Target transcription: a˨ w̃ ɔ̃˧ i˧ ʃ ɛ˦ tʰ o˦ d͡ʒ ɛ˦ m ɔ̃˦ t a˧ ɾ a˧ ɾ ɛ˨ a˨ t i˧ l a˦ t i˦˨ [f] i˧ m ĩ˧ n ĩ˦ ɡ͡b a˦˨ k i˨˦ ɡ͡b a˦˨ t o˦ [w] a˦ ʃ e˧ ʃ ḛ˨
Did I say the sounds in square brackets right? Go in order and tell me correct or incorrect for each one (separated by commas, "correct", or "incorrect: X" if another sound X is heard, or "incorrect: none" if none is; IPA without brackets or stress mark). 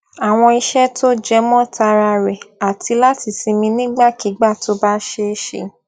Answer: incorrect: s, incorrect: b